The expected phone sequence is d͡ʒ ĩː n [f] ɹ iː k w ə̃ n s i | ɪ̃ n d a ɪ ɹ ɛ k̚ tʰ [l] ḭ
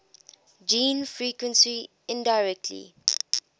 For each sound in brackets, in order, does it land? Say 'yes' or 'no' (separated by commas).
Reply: yes, yes